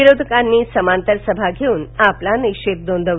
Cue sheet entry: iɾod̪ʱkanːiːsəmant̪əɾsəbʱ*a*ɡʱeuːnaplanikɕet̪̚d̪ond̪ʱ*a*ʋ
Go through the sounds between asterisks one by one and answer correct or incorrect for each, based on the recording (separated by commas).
correct, incorrect